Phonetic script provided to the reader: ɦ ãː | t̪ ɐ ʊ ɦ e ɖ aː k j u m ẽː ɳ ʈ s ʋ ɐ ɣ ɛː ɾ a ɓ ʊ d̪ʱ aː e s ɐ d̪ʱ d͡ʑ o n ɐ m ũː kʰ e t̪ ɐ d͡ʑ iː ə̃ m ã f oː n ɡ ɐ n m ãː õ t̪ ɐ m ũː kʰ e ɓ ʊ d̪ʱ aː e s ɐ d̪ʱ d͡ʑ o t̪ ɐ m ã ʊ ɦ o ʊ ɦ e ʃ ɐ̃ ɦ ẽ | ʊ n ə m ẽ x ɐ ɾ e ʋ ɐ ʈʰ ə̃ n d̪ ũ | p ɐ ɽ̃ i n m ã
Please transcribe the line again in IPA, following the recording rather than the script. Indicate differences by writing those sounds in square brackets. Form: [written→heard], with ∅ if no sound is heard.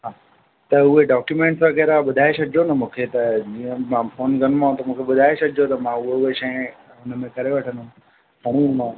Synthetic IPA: ɦ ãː | t̪ ɐ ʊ ɦ e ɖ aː k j u m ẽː ɳ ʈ s ʋ ɐ ɣ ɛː ɾ a ɓ ʊ d̪ʱ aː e s ɐ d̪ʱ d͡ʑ o n ɐ m ũː kʰ e t̪ ɐ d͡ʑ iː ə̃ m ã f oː n ɡ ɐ n m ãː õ t̪ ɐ m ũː kʰ e ɓ ʊ d̪ʱ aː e s ɐ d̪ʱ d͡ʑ o t̪ ɐ m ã ʊ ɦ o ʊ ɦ e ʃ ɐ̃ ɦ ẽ | ʊ n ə m ẽ [x→k] ɐ ɾ e ʋ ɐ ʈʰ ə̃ n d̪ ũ | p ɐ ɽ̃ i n m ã